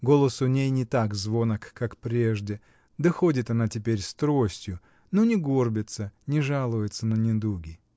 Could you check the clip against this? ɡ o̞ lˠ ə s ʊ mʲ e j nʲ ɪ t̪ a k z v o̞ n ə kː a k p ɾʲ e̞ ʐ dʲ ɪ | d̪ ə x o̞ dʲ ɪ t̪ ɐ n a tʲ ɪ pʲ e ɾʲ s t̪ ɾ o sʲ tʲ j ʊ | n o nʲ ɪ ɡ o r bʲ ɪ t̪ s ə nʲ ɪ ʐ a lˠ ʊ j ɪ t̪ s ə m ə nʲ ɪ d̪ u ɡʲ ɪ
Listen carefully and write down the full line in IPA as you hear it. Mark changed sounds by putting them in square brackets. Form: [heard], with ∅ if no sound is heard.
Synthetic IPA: ɡ o̞ lˠ ə s ʊ [nʲ] e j nʲ ɪ t̪ a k z v o̞ n ə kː a k p ɾʲ e̞ ʐ dʲ ɪ | d̪ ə x o̞ dʲ ɪ t̪ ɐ n a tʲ ɪ pʲ e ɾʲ s t̪ ɾ o sʲ tʲ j ʊ | n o nʲ ɪ ɡ o r bʲ ɪ t̪ s ə nʲ ɪ ʐ a lˠ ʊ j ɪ t̪ s ə [n] ə nʲ ɪ d̪ u ɡʲ ɪ